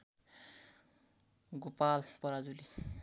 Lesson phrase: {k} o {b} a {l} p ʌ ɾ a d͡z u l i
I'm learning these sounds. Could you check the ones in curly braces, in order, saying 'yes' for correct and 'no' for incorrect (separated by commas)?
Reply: no, no, yes